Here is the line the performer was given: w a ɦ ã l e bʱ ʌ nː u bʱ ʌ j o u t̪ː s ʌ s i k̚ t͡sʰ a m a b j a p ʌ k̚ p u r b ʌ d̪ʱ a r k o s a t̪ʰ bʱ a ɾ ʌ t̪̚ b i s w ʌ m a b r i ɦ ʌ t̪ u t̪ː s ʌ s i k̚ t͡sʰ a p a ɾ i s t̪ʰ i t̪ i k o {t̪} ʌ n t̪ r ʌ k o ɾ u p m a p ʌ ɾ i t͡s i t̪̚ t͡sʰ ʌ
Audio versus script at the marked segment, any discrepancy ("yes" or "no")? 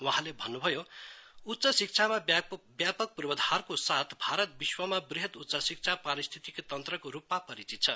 no